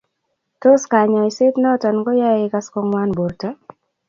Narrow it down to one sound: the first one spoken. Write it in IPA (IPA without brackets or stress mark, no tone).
t